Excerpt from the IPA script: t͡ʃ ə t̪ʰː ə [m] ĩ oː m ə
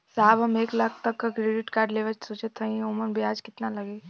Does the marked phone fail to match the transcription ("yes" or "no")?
yes